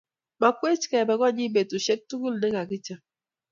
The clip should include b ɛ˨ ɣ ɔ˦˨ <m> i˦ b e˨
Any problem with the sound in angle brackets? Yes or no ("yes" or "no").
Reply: yes